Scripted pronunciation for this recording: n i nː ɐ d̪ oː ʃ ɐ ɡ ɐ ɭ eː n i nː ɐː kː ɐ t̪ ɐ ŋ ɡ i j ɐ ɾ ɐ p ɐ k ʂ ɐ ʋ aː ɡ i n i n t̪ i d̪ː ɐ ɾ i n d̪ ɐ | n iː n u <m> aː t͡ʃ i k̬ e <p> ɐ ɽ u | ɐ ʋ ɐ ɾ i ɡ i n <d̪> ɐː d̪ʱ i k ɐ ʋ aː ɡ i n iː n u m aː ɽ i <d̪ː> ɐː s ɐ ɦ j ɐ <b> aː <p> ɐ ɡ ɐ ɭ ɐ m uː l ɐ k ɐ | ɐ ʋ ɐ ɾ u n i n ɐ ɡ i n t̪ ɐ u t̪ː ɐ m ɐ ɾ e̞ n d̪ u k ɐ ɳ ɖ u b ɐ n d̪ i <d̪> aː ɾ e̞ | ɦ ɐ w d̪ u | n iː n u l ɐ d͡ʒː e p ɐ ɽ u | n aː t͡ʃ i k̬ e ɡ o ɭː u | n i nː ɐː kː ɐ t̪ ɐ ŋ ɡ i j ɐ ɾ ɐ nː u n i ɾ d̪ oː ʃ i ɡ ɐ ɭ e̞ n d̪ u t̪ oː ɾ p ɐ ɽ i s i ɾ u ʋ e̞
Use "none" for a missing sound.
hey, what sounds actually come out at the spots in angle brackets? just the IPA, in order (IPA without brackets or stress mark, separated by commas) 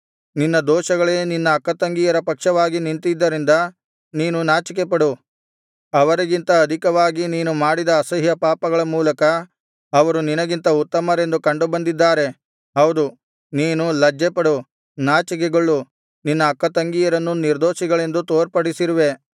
n, p, t̪, d̪, p, p, d̪ː